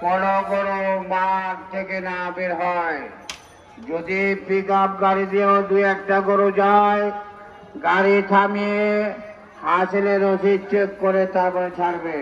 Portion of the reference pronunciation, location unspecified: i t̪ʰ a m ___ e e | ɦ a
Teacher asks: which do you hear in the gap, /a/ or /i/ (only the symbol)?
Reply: i